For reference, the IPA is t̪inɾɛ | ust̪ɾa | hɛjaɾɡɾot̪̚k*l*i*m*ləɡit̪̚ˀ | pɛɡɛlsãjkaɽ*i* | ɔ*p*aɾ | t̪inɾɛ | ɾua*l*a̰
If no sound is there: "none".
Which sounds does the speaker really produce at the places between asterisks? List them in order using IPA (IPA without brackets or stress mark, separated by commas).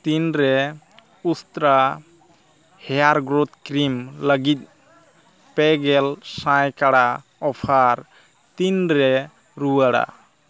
ɾ, m, a, pʰ, ɽ